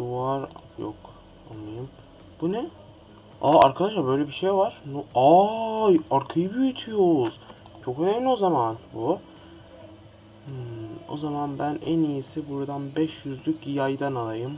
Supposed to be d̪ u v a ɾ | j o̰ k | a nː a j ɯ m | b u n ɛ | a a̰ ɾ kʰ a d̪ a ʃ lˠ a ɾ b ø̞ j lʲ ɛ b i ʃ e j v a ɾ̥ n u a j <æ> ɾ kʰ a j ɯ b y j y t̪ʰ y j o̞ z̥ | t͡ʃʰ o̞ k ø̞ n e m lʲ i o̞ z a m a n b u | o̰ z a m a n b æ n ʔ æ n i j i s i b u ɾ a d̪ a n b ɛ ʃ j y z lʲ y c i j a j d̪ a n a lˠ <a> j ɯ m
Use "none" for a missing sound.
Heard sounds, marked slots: a, a

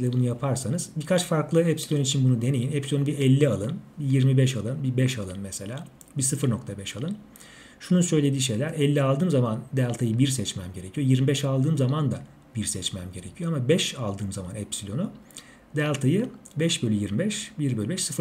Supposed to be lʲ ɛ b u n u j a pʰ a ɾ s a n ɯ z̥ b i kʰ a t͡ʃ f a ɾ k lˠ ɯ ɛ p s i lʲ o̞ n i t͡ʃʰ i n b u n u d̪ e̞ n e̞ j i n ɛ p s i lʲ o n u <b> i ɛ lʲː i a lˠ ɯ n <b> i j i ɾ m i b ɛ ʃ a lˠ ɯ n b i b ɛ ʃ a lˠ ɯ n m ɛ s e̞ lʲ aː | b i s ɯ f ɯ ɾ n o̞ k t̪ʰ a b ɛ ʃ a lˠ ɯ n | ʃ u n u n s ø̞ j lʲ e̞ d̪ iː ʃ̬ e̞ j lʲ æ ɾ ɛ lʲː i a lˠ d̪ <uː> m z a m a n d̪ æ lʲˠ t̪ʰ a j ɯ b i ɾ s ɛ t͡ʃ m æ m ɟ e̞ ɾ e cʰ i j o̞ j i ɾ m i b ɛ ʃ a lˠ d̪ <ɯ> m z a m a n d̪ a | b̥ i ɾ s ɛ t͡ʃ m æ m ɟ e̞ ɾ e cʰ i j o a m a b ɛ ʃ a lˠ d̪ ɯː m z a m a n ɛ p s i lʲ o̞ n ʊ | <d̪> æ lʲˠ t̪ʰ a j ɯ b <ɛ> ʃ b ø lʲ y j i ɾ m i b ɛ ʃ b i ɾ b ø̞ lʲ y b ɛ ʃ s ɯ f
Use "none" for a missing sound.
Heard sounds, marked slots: b, b, ɯː, ɯː, d̪, ɛ

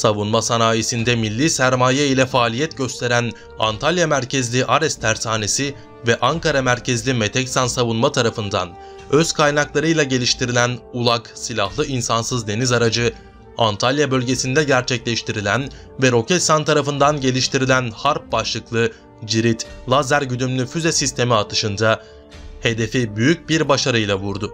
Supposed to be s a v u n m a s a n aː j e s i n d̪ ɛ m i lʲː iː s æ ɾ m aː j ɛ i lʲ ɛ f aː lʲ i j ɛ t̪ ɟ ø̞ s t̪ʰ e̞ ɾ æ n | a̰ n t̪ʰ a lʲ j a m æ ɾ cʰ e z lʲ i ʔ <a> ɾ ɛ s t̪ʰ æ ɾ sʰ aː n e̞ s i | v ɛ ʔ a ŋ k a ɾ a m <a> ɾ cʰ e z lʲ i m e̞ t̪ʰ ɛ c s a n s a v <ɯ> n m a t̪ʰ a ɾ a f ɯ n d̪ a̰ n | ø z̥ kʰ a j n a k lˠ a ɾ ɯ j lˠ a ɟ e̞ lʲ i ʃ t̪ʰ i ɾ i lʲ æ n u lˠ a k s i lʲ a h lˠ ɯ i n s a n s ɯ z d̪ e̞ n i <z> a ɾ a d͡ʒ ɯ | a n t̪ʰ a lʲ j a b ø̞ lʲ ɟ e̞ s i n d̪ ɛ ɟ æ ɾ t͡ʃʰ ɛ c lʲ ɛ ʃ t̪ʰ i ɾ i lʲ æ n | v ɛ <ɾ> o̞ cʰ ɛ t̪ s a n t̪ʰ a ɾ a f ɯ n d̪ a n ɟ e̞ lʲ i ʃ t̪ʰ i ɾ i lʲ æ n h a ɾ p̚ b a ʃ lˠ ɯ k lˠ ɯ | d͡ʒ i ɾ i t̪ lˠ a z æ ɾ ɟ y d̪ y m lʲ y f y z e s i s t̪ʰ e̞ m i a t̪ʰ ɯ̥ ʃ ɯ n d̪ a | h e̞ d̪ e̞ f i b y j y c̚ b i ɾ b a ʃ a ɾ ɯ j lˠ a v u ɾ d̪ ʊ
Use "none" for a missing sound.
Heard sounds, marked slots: a, æ, u, z, ɾ

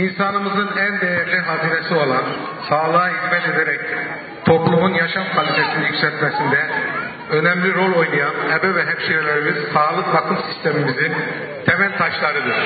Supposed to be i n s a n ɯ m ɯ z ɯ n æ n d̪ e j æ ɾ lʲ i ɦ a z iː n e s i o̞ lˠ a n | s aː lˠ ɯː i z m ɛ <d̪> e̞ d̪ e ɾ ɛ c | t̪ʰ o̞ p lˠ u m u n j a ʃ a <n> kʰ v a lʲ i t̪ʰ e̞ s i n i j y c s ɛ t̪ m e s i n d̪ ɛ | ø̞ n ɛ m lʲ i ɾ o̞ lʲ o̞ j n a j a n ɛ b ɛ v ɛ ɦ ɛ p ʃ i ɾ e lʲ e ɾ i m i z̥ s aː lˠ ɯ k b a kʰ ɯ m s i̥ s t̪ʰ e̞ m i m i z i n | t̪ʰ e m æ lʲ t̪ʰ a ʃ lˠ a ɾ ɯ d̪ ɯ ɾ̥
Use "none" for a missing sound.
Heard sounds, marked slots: t̪, m

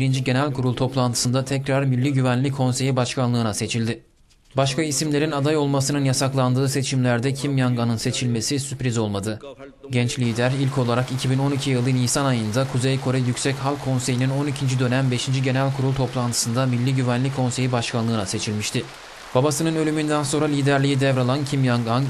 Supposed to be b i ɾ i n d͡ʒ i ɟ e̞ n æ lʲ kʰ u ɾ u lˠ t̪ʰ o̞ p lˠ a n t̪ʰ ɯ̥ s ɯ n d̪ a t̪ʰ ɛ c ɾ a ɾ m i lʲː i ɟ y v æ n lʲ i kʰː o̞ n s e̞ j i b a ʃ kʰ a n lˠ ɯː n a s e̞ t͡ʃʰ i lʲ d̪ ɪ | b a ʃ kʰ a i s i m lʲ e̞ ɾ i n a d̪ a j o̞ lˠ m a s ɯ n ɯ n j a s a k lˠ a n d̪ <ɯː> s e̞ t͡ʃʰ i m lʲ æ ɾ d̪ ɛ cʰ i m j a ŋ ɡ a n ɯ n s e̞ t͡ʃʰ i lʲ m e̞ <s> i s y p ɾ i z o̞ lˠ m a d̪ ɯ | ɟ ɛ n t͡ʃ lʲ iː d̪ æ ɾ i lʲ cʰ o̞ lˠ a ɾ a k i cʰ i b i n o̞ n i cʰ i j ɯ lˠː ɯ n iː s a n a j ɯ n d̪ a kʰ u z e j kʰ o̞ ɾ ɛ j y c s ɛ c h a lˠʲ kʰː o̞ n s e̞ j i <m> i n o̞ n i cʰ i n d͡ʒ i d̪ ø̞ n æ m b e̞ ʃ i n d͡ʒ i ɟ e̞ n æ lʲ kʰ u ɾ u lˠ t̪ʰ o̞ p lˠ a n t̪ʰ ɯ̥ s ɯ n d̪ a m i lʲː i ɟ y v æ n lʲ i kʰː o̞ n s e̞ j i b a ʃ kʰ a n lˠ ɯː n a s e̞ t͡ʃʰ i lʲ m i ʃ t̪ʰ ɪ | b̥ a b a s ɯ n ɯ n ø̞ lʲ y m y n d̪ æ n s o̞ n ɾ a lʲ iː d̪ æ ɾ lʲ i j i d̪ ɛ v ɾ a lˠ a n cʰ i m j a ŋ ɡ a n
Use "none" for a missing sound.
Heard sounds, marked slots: ɯː, s, n

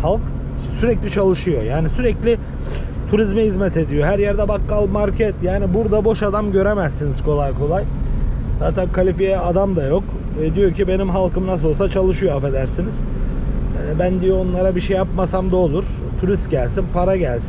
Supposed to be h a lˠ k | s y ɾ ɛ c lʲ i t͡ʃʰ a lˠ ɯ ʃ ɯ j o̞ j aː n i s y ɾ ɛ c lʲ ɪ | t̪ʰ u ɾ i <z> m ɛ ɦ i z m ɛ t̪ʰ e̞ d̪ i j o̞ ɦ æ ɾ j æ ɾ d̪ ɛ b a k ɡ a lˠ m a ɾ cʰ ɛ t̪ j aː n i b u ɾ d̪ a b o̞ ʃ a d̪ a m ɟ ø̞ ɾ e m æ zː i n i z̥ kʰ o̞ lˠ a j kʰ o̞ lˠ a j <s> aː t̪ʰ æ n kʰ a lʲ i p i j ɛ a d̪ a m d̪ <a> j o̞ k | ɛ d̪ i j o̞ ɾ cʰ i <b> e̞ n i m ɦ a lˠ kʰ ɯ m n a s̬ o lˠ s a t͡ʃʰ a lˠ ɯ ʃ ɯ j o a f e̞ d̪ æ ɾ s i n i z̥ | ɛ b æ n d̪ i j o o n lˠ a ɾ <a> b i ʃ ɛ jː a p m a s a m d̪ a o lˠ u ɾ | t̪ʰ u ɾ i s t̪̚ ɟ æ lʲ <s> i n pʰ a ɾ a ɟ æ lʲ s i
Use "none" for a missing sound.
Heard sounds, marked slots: z, z, a, b, a, s

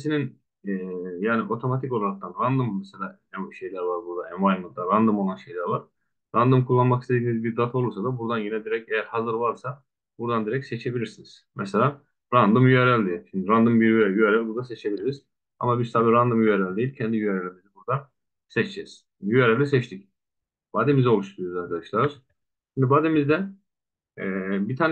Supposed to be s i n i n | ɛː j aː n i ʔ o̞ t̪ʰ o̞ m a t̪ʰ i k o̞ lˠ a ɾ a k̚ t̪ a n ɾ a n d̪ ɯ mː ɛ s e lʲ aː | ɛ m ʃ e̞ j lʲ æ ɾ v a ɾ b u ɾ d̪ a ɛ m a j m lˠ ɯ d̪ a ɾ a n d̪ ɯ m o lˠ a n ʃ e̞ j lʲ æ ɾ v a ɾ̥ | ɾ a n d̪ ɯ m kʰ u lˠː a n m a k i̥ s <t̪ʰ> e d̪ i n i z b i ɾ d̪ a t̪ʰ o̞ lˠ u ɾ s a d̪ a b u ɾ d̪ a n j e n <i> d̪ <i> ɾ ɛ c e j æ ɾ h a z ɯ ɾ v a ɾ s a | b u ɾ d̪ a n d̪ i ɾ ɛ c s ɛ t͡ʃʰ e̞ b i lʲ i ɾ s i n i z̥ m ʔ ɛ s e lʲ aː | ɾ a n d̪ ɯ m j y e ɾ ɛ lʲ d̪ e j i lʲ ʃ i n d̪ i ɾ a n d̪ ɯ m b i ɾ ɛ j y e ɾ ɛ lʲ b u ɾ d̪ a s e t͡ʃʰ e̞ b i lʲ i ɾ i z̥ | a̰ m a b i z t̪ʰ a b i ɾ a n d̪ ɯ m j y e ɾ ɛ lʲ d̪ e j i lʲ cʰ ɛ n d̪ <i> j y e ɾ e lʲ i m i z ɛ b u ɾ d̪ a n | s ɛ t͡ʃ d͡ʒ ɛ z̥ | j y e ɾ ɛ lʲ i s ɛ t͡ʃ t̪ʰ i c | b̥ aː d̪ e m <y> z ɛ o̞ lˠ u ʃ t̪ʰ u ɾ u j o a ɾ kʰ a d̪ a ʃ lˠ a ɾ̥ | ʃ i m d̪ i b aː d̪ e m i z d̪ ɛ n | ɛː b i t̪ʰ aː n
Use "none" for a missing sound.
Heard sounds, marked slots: t̪, ɛ, i, i, i

